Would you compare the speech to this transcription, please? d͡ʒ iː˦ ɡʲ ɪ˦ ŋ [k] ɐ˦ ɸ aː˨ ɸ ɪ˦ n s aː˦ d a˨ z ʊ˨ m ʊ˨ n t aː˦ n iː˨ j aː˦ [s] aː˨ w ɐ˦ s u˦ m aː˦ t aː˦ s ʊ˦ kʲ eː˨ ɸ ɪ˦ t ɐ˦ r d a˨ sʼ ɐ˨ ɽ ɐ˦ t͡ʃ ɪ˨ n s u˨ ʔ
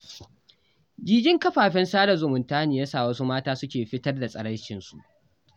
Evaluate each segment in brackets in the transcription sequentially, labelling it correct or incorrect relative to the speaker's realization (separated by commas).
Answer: correct, correct